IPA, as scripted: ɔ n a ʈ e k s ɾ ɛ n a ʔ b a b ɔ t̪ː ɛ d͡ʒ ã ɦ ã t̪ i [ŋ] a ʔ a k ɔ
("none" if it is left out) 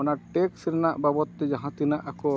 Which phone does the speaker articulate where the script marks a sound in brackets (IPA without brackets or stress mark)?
n